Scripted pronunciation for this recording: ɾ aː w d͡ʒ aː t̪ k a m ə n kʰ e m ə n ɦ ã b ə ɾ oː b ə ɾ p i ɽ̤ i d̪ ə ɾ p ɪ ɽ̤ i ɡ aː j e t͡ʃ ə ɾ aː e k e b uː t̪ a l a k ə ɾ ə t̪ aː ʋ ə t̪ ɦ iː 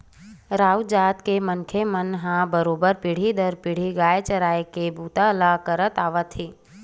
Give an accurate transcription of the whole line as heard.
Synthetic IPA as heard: ɾ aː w d͡ʒ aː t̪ k e m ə n kʰ e m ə n ɦ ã b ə ɾ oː b ə ɾ p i ɽ̤ i d̪ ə ɾ p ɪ ɽ̤ i ɡ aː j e t͡ʃ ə ɾ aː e k e b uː t̪ a l a k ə ɾ ə t̪ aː ʋ ə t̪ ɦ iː